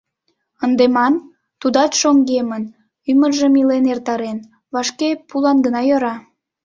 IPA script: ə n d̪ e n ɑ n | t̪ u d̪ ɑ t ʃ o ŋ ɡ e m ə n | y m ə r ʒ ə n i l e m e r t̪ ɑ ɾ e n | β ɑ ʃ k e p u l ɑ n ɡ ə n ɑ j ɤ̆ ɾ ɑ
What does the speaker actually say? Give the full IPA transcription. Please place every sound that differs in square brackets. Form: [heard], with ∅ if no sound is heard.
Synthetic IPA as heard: ə n d̪ e [m] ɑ n | t̪ u d̪ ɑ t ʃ o ŋ ɡ e m ə n | y m ə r ʒ ə [m] i l e [n] e r t̪ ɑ ɾ e n | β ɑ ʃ k e p u l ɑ n ɡ ə n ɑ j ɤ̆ ɾ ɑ